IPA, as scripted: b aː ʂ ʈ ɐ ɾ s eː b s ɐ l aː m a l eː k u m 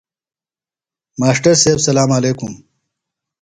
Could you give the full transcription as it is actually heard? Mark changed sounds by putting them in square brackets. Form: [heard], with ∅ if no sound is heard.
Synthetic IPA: [m] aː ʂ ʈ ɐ ɾ s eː b s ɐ l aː m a l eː k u m